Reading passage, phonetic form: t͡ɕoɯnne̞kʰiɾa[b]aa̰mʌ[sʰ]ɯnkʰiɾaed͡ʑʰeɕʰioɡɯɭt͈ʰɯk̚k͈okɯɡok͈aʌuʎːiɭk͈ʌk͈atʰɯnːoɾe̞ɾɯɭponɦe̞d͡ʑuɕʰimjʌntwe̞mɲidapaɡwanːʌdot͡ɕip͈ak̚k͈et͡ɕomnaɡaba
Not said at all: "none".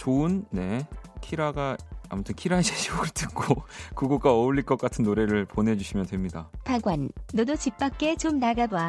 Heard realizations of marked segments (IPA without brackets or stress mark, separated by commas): ɡ, tʰ